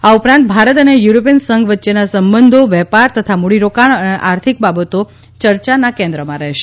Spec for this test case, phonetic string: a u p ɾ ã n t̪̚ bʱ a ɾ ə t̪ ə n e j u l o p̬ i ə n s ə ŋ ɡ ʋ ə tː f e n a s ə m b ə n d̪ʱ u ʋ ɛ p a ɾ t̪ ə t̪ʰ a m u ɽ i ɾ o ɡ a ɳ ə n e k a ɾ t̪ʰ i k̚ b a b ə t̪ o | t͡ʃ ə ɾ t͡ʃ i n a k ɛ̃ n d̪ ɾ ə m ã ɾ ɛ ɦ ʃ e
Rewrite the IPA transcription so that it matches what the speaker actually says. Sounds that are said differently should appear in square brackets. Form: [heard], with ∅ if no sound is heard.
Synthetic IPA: a u p ɾ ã n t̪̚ bʱ a ɾ ə t̪ ə n e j u [ɾ] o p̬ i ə n s ə ŋ ɡ ʋ ə tː [ʃ] e n a s ə m b ə n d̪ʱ [o] ʋ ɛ p a ɾ t̪ ə t̪ʰ a m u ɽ i ɾ o [k] a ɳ ə n e [ʔ] a ɾ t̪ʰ i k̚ b a b ə t̪ o | t͡ʃ ə ɾ t͡ʃ [a] n a k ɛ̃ n d̪ ɾ ə m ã ɾ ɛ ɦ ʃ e